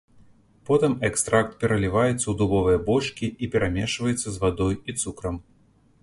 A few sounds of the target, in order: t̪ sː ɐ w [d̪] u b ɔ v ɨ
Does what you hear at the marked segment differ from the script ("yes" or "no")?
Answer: no